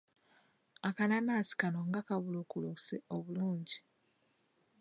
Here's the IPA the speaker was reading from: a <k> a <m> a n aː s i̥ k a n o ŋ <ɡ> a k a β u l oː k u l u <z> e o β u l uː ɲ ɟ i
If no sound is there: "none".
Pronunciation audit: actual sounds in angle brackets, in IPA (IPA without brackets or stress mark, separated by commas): k, n, ɡ, s